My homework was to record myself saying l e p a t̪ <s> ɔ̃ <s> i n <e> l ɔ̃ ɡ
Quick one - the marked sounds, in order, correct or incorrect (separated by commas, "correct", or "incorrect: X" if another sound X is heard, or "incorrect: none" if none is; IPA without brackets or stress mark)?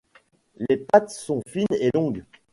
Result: correct, incorrect: f, correct